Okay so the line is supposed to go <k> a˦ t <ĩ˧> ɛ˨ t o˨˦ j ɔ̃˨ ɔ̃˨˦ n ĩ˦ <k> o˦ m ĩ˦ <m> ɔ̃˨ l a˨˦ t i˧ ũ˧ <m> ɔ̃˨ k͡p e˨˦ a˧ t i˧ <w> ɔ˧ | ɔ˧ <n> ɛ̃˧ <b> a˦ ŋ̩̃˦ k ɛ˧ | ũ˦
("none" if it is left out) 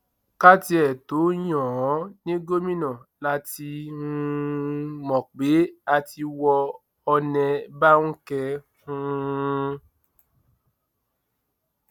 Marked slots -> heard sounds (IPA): k, i˧, ɡ, n, m, w, n, b

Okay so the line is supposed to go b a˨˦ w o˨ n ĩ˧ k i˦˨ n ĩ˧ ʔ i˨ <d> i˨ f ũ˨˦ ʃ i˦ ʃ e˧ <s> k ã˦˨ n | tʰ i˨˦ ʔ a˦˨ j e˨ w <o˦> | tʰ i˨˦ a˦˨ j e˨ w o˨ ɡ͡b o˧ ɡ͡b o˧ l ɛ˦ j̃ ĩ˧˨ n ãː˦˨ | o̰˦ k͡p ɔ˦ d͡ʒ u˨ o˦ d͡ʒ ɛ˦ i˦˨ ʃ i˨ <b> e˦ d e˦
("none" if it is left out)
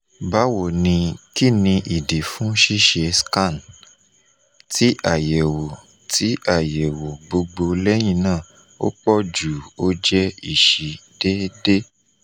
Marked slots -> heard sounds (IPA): d, s, o˨, d

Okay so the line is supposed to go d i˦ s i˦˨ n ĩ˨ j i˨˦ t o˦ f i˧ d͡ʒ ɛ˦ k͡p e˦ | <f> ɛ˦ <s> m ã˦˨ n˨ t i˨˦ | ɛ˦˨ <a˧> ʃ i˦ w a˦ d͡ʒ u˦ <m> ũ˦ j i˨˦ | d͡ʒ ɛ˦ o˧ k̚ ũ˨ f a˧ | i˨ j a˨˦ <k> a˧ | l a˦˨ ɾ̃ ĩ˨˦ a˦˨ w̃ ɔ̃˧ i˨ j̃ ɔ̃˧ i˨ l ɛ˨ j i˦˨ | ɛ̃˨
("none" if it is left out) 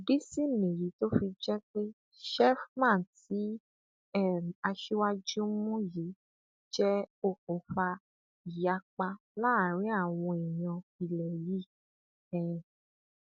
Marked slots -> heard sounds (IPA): ʃ, f, a˧, m, k͡p

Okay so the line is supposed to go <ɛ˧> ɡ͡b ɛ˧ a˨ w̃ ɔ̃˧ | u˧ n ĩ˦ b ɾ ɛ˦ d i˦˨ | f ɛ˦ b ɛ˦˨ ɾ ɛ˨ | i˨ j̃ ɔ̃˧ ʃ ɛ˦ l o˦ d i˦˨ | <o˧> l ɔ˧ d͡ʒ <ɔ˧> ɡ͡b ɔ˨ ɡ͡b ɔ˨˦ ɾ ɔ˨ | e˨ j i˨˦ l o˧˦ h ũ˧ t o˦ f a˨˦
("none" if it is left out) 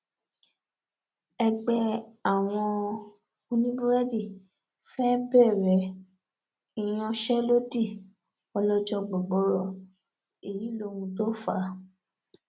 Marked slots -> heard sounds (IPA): ɛ˧, ɔ˧, ɔ˧

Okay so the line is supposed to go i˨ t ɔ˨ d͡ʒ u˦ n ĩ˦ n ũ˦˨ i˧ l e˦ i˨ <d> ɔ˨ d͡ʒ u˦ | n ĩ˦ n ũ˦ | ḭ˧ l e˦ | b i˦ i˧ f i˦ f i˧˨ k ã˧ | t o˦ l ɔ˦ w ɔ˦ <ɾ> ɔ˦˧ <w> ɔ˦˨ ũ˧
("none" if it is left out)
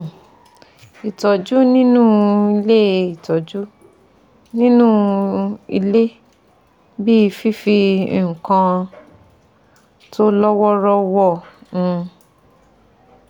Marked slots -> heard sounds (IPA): t, ɾ, w

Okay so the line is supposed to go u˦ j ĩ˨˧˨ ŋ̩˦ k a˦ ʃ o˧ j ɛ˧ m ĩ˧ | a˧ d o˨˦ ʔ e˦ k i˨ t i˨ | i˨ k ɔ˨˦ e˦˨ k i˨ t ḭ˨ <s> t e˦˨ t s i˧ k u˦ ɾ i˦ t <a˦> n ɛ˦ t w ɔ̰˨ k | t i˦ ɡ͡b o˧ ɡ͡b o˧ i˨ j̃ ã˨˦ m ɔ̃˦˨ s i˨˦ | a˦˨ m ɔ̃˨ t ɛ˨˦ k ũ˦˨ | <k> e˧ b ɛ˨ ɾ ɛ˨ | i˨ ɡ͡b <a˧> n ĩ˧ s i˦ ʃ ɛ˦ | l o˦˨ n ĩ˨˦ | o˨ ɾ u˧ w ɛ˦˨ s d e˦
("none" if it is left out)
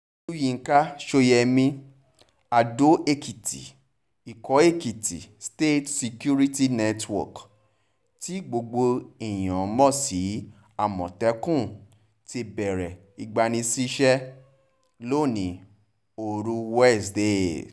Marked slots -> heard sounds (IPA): s, i˦, t, a˧

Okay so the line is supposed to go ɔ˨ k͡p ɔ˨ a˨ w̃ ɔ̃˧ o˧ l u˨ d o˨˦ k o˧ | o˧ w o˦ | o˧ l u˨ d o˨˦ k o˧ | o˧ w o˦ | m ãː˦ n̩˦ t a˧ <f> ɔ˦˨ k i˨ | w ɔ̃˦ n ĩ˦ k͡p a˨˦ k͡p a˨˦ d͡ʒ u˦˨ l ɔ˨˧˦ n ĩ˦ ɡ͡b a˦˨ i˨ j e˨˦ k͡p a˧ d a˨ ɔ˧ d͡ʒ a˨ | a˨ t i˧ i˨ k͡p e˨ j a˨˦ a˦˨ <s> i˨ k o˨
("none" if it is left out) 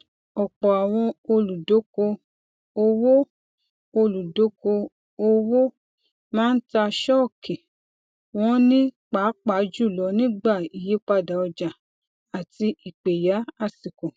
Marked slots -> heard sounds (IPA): ʃ, s

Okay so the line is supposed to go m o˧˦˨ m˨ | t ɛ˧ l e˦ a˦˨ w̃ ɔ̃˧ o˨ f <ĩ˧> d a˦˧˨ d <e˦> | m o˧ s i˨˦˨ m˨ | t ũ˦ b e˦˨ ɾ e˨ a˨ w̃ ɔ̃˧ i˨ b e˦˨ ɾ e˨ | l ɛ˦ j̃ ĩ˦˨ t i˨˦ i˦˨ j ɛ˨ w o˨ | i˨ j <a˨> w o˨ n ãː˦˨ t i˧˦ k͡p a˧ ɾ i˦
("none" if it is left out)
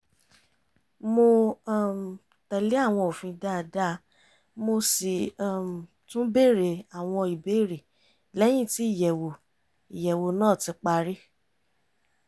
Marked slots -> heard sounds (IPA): ĩ˧, a˦, ɛ˨

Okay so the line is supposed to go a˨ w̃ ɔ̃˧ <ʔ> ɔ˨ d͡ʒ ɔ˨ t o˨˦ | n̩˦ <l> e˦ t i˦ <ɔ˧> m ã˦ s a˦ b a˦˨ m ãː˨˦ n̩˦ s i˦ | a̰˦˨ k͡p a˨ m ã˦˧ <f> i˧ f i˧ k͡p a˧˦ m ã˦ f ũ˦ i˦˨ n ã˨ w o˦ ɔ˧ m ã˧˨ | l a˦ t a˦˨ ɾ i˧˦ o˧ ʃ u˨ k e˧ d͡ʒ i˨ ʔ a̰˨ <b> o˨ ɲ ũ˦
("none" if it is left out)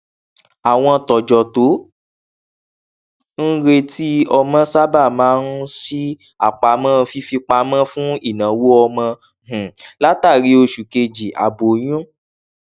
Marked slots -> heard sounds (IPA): t, ɾ, ɔ˧, f, b

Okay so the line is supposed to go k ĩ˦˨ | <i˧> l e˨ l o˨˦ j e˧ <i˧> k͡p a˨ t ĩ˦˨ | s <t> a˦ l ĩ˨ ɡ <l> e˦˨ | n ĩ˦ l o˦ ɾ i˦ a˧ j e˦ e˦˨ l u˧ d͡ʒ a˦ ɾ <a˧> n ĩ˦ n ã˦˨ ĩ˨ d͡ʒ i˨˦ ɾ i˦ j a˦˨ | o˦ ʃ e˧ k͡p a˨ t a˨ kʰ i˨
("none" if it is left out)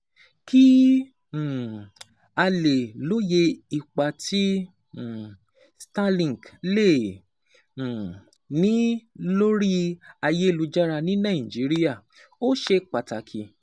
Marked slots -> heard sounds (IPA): a˧, i˧, t, l, a˧

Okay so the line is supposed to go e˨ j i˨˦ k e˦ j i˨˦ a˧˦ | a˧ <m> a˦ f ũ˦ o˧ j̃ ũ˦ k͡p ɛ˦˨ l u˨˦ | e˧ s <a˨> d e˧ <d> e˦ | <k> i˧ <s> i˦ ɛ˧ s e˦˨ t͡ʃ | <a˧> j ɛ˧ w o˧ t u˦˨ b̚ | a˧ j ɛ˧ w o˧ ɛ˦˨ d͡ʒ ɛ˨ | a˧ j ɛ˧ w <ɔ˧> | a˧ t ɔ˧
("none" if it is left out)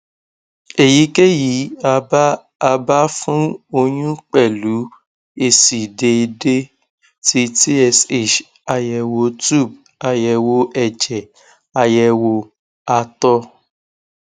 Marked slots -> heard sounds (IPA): b, i˨, d, t, t, a˧, o˧

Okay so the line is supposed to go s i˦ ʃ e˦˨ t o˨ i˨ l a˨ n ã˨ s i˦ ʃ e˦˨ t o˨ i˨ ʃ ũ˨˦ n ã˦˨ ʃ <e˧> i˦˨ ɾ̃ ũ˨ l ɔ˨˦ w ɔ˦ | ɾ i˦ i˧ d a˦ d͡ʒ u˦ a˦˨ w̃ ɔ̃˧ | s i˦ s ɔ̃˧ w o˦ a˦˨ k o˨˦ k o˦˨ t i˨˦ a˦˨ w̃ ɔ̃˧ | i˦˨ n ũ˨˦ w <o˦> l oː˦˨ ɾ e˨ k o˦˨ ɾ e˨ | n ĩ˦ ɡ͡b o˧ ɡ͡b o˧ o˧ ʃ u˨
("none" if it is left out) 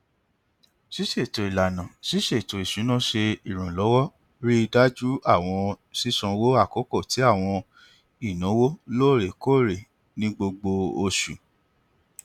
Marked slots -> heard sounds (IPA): e˧, o˦

